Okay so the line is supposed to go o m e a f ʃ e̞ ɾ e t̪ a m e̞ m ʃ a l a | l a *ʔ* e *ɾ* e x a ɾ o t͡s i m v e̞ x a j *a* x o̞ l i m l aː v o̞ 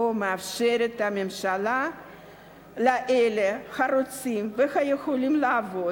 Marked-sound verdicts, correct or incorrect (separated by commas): correct, incorrect, incorrect